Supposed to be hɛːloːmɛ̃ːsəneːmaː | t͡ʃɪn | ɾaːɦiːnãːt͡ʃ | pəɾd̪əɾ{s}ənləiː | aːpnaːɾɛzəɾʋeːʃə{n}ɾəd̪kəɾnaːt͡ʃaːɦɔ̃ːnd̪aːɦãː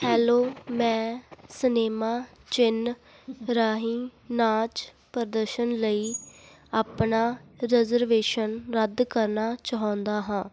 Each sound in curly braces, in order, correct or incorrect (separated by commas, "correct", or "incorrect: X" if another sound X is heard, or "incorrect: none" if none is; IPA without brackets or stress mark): incorrect: ʃ, correct